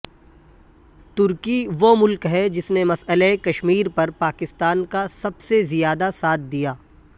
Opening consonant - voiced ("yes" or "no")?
no